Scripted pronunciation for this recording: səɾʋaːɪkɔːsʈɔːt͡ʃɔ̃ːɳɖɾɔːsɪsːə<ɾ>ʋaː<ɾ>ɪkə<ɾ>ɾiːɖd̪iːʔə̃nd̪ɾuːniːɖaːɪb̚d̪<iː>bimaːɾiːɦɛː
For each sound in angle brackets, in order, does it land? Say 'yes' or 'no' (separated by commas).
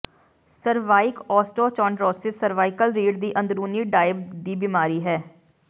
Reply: yes, no, no, yes